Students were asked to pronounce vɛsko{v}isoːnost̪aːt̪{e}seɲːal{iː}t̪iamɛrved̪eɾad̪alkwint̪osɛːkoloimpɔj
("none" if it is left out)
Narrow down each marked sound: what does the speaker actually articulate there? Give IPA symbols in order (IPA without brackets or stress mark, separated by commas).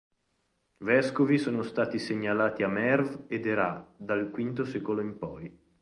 v, i, aː